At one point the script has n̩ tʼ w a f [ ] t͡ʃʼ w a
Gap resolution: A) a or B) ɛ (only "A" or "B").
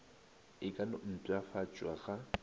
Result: A